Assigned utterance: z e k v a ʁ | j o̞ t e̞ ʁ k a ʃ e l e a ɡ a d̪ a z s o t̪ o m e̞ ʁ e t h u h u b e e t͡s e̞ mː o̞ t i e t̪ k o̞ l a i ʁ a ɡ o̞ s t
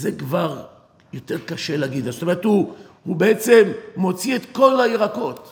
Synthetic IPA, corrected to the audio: z e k v a ʁ | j o̞ t e̞ ʁ k a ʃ e l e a ɡ i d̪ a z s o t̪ o m e̞ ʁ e t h u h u b e e t͡s e̞ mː o̞ t͡s i e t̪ k o̞ l a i ʁ a k o̞ t